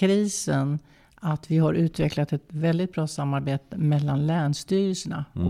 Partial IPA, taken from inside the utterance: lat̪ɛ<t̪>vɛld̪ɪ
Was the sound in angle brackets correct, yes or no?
yes